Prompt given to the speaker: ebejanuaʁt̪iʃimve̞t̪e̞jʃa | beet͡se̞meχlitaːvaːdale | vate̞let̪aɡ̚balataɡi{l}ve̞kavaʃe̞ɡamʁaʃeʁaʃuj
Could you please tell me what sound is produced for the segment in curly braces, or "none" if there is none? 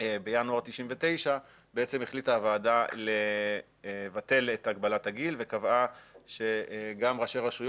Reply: l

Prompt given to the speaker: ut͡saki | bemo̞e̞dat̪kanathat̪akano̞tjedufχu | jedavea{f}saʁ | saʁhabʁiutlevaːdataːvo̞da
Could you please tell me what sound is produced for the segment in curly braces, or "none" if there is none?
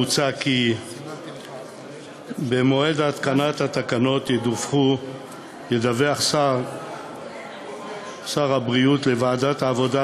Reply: χ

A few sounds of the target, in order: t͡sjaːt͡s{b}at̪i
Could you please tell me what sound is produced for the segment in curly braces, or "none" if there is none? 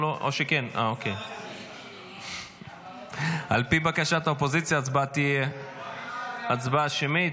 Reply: b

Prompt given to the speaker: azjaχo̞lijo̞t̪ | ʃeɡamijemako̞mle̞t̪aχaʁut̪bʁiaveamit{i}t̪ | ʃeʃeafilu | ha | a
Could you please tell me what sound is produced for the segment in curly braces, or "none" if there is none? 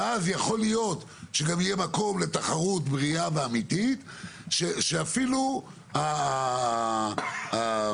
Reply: i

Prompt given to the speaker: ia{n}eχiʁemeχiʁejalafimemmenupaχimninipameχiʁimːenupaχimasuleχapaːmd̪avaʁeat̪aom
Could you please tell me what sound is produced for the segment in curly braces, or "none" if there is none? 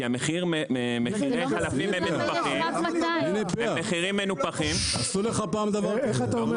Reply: m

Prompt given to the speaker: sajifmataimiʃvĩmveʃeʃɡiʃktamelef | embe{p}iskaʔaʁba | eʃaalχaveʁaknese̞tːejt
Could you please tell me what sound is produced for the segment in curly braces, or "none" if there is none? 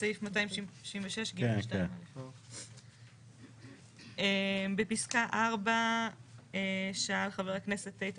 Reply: p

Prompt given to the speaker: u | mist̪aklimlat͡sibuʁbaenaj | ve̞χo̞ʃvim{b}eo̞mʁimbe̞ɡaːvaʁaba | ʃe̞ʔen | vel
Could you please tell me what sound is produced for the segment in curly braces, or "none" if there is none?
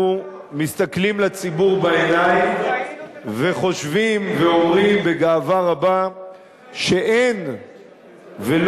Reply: v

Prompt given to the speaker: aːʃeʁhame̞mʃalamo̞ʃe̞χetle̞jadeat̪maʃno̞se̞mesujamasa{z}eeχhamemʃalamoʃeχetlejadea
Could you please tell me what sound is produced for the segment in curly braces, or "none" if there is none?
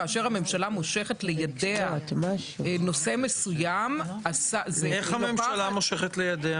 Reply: z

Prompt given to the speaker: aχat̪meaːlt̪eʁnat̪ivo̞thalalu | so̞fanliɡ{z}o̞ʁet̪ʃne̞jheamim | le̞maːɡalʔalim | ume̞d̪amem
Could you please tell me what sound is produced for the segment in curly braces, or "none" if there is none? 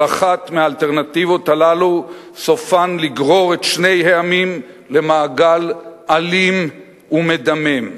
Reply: ʁ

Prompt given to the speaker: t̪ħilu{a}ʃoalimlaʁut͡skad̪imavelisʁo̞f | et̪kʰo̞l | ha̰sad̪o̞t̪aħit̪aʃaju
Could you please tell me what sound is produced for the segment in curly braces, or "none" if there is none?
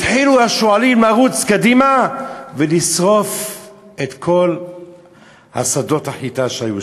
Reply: a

